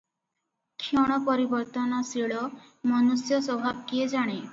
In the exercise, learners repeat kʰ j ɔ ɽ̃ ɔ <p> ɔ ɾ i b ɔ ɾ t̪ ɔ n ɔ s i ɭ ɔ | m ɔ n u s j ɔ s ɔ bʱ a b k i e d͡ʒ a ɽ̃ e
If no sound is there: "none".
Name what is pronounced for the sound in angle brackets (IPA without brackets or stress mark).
p